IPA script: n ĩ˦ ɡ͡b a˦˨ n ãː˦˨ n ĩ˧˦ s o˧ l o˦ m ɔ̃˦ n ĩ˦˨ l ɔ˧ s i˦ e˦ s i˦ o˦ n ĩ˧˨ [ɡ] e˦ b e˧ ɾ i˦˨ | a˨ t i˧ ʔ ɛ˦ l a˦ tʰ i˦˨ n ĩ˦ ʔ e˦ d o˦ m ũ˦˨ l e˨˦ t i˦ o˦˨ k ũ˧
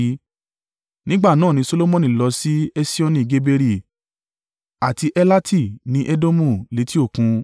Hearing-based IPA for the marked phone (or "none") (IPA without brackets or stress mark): ɡ